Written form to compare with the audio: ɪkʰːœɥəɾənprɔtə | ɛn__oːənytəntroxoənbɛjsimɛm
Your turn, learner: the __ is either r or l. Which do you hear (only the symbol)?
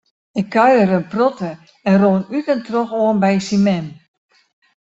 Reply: r